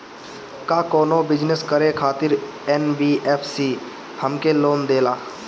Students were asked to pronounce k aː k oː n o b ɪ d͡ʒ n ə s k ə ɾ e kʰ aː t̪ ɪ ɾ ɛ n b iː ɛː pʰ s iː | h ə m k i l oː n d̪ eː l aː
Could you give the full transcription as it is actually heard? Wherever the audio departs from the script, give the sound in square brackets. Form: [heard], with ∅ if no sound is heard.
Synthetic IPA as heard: k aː k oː n o b ɪ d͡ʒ n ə s k ə ɾ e kʰ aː t̪ ɪ ɾ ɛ n b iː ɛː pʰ s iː | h ə m k [e] l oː n d̪ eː l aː